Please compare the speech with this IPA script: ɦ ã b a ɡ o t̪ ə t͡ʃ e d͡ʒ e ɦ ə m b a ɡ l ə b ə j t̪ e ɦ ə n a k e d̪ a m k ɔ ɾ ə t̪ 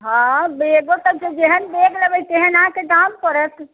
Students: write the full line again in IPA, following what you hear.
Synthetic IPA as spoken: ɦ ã b e ɡ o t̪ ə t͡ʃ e d͡ʒ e ɦ ə n b e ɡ l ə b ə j t̪ e ɦ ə n a k e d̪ a m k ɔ ɾ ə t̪